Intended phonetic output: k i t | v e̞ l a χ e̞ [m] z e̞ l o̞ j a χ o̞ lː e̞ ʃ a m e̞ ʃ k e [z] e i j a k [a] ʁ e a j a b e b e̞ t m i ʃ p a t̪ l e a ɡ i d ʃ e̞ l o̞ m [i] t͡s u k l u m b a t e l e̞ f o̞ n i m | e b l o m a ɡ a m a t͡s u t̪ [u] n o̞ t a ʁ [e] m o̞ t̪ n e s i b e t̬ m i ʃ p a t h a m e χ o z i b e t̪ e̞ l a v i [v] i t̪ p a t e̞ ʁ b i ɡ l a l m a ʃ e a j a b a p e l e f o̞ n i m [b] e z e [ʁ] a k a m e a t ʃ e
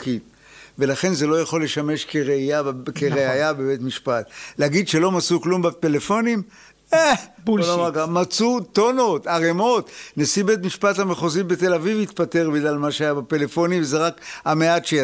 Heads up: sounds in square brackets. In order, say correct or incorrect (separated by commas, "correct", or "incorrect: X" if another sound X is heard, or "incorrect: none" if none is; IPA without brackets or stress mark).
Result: incorrect: n, incorrect: ʁ, incorrect: e, incorrect: a, incorrect: o, correct, correct, incorrect: v, correct